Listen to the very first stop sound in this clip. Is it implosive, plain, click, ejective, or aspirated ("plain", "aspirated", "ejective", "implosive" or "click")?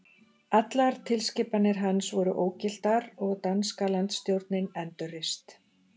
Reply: plain